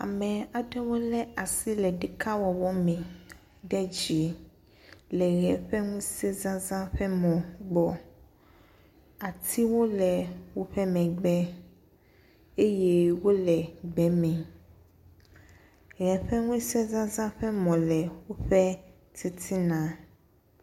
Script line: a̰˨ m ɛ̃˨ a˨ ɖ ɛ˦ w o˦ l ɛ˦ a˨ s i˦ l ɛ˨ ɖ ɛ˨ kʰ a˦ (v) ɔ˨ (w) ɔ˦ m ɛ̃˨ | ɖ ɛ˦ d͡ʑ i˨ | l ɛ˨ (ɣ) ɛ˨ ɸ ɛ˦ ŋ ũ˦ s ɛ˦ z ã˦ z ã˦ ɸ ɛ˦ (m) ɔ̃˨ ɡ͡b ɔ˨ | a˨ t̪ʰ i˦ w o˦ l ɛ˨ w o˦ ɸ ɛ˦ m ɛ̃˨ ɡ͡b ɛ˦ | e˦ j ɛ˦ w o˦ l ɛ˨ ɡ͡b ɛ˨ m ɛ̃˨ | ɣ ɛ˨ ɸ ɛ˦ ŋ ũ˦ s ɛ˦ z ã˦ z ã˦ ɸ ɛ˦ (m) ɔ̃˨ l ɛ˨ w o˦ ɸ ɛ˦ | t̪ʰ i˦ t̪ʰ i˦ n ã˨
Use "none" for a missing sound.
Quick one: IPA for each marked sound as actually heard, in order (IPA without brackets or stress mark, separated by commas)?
w, w, ɣ, m, m